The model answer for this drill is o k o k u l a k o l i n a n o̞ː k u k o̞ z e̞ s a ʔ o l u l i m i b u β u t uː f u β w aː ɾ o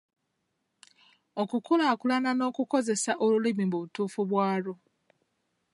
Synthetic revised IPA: o k u k u l a k u l a n a n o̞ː k u k o̞ z e̞ s a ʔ o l u l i m i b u β u t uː f u β w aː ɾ o